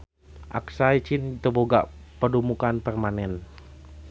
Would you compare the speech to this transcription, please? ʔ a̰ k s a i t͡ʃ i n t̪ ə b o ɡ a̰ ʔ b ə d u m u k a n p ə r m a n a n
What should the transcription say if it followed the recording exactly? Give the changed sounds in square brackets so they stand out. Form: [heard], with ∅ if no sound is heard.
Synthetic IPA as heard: ʔ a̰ k s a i t͡ʃ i n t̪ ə b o ɡ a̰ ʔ [p] ə d u m u k a n p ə r m a n [ɛ] n